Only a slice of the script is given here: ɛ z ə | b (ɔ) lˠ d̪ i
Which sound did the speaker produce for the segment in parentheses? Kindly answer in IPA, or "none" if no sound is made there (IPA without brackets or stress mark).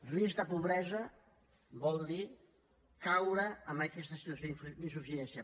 ɔ